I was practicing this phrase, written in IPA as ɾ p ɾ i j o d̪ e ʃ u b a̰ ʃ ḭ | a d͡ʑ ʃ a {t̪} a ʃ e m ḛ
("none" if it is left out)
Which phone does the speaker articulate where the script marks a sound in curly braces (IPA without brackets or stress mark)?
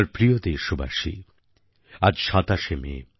t̪